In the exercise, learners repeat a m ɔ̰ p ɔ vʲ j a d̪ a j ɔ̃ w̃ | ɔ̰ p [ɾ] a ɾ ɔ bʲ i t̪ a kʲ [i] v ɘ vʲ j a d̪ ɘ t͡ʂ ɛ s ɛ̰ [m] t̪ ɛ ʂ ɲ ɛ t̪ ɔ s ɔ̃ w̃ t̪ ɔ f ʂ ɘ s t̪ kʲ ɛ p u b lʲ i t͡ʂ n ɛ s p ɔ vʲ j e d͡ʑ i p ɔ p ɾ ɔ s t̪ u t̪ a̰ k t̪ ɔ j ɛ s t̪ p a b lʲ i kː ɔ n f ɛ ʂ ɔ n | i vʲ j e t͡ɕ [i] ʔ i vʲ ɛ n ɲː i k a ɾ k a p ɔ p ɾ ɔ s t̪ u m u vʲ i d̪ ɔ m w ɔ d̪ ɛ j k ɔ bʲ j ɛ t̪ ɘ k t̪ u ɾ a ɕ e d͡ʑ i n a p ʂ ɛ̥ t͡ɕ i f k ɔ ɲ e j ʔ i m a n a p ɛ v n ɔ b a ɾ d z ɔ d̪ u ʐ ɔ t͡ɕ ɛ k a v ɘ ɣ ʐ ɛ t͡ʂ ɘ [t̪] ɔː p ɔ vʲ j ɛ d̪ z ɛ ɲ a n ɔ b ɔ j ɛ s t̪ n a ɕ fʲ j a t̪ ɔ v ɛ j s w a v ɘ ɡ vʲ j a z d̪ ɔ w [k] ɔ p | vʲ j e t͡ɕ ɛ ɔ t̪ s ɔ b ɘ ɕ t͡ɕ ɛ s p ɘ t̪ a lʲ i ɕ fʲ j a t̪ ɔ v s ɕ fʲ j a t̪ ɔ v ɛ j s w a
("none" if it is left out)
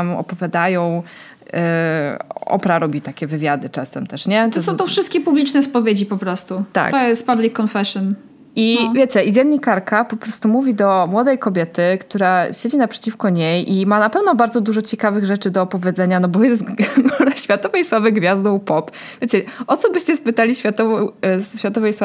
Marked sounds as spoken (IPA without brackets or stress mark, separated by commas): ɾ, ɛ, m, ɛ, d̪, p